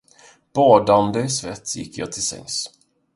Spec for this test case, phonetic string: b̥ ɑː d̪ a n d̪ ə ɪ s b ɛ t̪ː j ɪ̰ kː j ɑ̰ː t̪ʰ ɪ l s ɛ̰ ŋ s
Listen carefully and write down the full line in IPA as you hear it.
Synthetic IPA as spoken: b̥ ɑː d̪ a n d̪ ə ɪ s v ɛ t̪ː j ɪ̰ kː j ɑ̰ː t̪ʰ ɪ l s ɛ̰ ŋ s